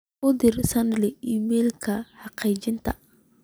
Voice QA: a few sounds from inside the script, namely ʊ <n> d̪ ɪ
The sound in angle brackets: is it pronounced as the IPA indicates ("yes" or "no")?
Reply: no